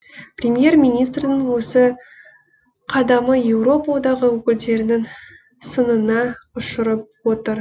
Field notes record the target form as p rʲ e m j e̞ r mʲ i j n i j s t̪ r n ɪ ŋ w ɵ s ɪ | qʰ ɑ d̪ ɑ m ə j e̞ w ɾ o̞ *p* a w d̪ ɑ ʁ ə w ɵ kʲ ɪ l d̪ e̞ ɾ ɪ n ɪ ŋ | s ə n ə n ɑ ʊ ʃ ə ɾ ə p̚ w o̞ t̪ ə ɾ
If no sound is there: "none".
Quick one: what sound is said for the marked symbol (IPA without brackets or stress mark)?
p